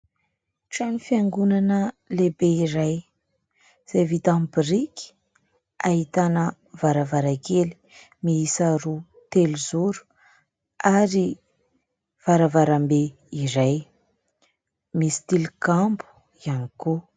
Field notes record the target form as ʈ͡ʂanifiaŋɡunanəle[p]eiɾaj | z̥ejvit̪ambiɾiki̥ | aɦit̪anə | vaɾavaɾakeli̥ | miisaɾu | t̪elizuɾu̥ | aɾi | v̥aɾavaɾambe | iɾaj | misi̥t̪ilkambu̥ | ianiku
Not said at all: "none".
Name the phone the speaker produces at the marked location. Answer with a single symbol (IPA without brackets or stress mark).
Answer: b